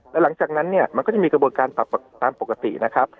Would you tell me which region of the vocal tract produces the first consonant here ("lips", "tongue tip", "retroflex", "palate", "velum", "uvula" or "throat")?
tongue tip